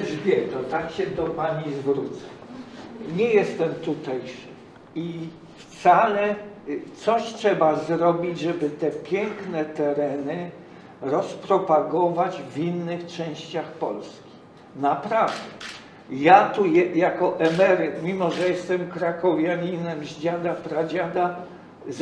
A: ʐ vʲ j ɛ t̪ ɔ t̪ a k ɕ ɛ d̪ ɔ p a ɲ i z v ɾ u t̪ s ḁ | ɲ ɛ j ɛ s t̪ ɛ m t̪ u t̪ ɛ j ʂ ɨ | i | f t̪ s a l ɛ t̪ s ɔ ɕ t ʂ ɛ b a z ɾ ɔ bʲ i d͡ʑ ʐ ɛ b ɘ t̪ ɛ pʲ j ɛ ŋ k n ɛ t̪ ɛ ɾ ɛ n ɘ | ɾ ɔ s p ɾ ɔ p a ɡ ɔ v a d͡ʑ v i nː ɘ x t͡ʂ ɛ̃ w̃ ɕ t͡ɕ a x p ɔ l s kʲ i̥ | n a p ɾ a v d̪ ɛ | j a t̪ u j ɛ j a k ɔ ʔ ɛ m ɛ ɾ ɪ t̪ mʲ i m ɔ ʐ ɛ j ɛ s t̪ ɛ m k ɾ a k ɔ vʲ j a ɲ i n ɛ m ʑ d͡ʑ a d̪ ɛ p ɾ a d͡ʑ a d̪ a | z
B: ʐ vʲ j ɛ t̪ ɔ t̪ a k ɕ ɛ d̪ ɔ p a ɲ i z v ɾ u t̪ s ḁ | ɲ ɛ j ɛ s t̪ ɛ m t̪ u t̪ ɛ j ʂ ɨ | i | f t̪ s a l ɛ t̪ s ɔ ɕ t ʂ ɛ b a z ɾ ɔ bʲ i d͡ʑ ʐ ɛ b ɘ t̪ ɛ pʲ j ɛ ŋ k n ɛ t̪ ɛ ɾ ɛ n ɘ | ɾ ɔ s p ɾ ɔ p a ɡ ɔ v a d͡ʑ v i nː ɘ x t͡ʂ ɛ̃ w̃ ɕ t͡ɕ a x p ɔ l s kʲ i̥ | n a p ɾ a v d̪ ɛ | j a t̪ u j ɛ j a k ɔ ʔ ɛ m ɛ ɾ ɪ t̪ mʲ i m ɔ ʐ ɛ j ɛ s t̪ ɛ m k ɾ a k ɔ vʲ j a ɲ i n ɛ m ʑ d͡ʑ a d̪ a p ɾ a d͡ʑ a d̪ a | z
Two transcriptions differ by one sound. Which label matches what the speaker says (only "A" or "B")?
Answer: B